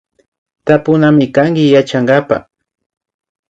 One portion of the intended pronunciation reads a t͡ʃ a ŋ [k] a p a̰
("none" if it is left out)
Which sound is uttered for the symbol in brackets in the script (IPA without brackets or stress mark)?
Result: ɡ